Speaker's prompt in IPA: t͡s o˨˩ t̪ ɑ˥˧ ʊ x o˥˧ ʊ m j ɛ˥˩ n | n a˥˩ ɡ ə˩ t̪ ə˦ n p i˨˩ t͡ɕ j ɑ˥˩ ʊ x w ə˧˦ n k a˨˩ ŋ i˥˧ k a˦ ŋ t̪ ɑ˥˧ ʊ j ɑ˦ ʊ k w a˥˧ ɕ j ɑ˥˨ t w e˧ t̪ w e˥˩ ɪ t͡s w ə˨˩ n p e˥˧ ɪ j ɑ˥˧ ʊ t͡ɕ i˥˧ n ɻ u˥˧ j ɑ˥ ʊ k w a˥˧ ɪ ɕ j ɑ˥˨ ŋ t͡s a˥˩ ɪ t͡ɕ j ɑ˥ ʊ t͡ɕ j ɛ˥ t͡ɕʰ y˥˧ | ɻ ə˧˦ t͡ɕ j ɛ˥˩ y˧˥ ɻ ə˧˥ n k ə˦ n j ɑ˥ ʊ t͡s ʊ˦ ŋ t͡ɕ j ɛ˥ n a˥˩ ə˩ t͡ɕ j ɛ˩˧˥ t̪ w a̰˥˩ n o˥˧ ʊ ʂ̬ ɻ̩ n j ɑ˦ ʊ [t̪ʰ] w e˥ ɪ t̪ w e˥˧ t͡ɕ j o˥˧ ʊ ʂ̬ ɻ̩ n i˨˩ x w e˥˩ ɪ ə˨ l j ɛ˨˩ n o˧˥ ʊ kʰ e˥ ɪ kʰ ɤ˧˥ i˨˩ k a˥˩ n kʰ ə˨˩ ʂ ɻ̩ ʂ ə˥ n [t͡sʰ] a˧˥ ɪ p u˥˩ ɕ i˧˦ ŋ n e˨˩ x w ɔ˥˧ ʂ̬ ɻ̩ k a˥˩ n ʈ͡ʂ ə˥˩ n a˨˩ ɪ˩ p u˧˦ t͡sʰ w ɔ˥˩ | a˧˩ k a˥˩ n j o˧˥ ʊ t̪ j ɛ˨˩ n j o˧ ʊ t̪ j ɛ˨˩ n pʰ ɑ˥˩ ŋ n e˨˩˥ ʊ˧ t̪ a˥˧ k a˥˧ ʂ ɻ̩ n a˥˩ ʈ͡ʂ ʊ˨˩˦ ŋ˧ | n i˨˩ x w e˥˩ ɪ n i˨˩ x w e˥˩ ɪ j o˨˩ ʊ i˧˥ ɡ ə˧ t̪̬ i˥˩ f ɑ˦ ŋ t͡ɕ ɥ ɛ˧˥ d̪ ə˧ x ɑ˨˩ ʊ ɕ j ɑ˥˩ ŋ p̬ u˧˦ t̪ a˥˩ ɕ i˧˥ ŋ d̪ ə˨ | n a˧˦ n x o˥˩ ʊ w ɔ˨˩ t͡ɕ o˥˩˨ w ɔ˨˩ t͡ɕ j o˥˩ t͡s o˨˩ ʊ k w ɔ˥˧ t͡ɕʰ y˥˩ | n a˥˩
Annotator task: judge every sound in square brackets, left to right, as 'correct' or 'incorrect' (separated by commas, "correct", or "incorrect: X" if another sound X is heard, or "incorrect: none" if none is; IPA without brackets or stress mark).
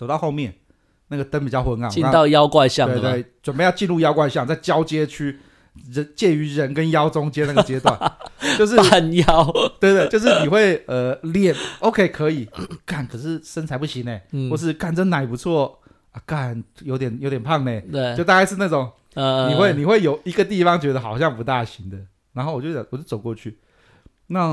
incorrect: t̪, correct